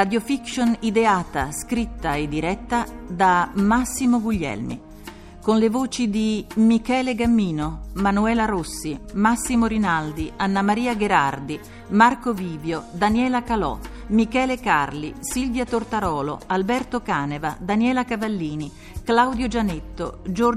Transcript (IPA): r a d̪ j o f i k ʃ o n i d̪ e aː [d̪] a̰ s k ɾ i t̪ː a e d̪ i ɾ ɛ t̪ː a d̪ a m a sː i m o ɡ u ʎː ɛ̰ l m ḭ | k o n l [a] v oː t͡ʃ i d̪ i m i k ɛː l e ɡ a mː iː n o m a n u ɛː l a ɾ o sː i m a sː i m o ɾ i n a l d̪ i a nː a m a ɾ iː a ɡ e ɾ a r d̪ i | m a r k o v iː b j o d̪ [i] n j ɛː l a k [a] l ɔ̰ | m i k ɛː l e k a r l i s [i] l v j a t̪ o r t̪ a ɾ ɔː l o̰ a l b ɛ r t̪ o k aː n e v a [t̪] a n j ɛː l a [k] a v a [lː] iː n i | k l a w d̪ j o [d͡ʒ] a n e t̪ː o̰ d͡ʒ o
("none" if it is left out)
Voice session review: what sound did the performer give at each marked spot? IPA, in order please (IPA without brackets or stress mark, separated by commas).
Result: t̪, e, a, a, i, d̪, k, lː, d͡ʒ